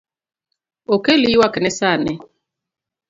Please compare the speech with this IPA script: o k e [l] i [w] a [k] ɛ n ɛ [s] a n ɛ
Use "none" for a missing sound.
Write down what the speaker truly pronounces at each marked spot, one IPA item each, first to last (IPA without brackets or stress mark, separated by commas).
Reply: l, w, k, s